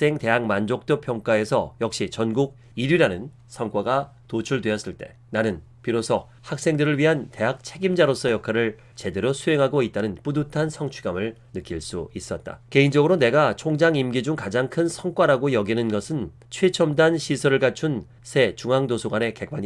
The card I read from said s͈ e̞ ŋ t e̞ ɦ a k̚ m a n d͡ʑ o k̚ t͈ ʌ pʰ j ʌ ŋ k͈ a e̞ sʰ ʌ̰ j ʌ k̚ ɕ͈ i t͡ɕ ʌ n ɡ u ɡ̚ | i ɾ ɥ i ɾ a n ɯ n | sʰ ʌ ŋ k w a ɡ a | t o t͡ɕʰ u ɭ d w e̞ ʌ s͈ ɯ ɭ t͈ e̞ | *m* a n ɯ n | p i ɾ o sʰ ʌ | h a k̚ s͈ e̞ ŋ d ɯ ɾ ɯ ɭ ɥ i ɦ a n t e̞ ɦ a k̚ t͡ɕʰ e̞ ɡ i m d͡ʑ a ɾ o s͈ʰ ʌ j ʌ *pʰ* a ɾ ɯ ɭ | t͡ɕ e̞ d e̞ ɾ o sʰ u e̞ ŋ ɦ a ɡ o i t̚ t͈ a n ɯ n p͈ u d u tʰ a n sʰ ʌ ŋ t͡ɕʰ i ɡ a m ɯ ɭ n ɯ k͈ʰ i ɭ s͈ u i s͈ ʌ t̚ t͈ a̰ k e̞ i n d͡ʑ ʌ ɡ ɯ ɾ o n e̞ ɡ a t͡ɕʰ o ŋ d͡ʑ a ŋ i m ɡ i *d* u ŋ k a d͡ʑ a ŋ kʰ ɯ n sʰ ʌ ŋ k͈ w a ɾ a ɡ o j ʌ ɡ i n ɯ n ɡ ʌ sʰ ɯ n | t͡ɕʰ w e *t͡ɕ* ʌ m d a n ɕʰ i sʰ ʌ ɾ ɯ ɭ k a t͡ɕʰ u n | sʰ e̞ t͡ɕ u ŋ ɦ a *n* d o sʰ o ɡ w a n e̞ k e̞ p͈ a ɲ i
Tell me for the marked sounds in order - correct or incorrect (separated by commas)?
incorrect, incorrect, incorrect, incorrect, incorrect